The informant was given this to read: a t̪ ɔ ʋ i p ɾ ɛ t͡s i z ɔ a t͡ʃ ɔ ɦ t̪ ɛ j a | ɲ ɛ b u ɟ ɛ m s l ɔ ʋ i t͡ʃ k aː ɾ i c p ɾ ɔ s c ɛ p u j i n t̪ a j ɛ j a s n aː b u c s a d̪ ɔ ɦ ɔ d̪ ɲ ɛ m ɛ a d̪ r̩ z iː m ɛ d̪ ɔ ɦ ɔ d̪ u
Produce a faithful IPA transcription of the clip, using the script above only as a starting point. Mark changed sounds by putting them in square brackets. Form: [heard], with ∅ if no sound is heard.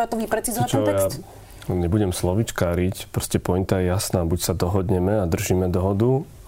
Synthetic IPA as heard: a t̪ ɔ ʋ i p ɾ ɛ t͡s i z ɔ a t͡ʃ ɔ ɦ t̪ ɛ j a | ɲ ɛ b u ɟ ɛ m s l ɔ ʋ i t͡ʃ k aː ɾ i c p ɾ ɔ s c ɛ p [ɔ] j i n t̪ a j ɛ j a s n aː b u c s a d̪ ɔ ɦ ɔ d̪ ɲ ɛ m ɛ a d̪ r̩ [ʒ] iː m ɛ d̪ ɔ ɦ ɔ d̪ u